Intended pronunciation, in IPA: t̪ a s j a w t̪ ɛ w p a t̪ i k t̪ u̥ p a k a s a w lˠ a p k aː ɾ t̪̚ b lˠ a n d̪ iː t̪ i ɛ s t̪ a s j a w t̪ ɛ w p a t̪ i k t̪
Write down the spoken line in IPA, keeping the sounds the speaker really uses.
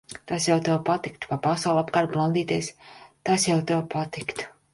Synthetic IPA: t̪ a s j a w t̪ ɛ w p a t̪ i k t̪ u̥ p a p a s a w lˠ a p k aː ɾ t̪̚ b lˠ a n d̪ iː t̪ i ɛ s t̪ a s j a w t̪ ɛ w p a t̪ i k t̪

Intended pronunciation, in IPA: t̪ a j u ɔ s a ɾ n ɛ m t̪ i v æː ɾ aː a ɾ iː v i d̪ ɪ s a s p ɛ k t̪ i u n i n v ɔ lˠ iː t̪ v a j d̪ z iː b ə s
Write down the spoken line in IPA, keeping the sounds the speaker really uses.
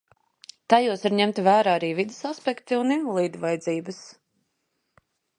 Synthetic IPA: t̪ a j u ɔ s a ɾ ɲ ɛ m t̪ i v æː ɾ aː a ɾ iː v i d̪ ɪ s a s p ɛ k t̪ i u n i n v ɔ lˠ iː d̪ v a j d̪ z iː b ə s

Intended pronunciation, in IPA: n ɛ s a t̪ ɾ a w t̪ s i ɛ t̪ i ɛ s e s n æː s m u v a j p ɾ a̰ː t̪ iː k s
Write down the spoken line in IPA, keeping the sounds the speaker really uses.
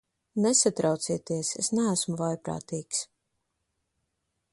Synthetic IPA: n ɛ s a t̪ ɾ a w t̪ s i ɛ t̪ i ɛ s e s n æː s m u v a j p ɾ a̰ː t̪ iː k s

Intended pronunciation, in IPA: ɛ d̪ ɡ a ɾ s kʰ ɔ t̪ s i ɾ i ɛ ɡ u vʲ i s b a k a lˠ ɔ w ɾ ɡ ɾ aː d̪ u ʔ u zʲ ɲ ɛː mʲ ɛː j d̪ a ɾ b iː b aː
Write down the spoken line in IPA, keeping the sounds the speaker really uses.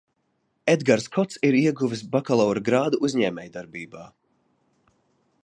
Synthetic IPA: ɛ d̪ ɡ a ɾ s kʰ ɔ t̪ s i ɾ i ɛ ɡ u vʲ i s b a k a lˠ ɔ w ɾ ɡ ɾ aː d̪ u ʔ u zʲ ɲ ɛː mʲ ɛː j d̪ a ɾ b iː b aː

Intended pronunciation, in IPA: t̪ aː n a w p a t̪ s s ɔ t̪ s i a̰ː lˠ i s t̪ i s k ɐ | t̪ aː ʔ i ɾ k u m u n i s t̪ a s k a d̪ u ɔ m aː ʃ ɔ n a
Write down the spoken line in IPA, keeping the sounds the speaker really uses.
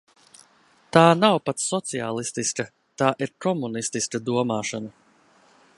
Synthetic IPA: t̪ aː n a w p a t̪ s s ɔ t̪ s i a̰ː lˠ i s t̪ i s k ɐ | t̪ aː ʔ i ɾ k ɔ m u n i s t̪ i s k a d̪ u ɔ m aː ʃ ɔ n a

